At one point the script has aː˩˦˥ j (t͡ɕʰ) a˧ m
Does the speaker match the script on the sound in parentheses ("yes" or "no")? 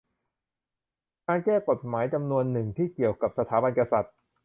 no